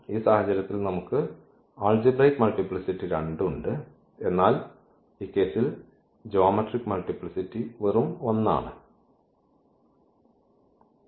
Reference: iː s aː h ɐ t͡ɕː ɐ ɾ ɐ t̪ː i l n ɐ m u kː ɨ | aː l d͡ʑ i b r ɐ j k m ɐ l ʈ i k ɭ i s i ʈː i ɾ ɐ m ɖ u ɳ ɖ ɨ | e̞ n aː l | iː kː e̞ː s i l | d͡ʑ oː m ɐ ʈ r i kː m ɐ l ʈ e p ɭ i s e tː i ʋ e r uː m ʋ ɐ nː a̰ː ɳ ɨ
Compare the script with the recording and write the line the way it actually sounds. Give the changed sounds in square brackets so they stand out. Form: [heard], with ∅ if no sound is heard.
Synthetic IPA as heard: iː s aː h ɐ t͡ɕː ɐ ɾ ɐ t̪ː i l n ɐ m u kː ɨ | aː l d͡ʑ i b r ɐ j k m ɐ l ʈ i [p] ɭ i s i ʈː i ɾ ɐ [ɳ] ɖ u ɳ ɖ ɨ | e̞ [nː] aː l | iː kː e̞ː s i l | d͡ʑ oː m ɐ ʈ r i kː m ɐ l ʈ [i] p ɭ i s [i] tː i ʋ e r [u] m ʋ ɐ nː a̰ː ɳ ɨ